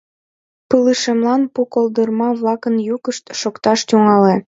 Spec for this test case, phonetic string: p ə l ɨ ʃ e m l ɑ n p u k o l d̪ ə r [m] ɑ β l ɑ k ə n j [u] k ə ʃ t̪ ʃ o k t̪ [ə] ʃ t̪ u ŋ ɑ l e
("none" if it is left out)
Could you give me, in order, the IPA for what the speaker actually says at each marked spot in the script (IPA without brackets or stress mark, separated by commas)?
m, u, ɑ